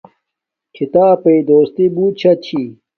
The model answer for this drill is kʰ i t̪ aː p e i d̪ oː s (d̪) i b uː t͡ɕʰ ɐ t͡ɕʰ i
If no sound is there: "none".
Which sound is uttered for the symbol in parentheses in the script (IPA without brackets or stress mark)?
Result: t̪